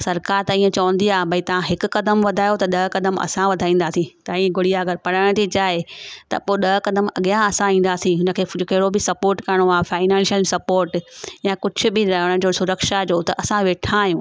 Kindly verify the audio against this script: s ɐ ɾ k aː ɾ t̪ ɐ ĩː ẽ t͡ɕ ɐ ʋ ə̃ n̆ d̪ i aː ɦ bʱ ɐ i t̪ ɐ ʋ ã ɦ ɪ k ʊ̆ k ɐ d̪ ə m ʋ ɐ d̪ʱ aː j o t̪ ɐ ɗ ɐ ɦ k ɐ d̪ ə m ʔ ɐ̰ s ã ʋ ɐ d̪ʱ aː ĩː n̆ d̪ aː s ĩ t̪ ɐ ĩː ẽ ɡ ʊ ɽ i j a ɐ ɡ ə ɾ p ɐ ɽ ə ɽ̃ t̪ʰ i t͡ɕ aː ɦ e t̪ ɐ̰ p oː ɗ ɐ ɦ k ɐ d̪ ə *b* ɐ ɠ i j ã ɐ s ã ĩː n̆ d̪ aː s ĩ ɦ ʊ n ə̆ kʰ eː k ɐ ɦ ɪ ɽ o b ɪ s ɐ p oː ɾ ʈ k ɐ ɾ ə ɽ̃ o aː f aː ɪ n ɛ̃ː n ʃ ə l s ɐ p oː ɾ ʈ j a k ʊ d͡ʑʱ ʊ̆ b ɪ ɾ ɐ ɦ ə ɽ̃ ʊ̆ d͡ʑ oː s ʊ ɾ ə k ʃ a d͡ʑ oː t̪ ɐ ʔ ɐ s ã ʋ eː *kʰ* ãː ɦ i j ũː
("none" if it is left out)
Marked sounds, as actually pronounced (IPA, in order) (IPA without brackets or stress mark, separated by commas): m, ʈʰ